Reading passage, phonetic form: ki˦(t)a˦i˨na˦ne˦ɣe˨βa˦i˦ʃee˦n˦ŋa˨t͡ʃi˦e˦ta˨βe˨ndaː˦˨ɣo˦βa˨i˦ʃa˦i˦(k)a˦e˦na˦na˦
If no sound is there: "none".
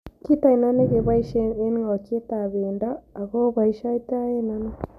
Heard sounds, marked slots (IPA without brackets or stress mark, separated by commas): t, t